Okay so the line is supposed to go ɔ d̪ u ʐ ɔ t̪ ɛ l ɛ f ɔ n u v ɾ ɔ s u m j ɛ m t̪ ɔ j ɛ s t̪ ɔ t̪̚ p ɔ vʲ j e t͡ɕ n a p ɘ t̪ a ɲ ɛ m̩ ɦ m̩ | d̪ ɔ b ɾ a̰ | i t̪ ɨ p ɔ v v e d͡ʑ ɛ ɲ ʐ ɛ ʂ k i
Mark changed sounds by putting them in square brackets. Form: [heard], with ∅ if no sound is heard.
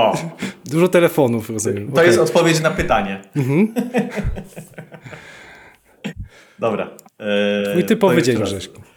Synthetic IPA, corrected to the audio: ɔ d̪ u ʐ ɔ t̪ ɛ l ɛ f ɔ n u [f] ɾ ɔ [z] u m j ɛ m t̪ ɔ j ɛ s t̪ ɔ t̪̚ p ɔ vʲ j e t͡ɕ n a p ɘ t̪ a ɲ ɛ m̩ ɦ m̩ | d̪ ɔ b ɾ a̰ | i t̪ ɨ p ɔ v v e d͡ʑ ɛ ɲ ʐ ɛ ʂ k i